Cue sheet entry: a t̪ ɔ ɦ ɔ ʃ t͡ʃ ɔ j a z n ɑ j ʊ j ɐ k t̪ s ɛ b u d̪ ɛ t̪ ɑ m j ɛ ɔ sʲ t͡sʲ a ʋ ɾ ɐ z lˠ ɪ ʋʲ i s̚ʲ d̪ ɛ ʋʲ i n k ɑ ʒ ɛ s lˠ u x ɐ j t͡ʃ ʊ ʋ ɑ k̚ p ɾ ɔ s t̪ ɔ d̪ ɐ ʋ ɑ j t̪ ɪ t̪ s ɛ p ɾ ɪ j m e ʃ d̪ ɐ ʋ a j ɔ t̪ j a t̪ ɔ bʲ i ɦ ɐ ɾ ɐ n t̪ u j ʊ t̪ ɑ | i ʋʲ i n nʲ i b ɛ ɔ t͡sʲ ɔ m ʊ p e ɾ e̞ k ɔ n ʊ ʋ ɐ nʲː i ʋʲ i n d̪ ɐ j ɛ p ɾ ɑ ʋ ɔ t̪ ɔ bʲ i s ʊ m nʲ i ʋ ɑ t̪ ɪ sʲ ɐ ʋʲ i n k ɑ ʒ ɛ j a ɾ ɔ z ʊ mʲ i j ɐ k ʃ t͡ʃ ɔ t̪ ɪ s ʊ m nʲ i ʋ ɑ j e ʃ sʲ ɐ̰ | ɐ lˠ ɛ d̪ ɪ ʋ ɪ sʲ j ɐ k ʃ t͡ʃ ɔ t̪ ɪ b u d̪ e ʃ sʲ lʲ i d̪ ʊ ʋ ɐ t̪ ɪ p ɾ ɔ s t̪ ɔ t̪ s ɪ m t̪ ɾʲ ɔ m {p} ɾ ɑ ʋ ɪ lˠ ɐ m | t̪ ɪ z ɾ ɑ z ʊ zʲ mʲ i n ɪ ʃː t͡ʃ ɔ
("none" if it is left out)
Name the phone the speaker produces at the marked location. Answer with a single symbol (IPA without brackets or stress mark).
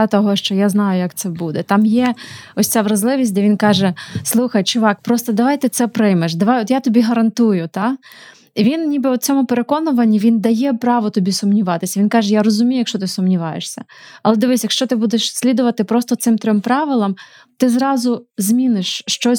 p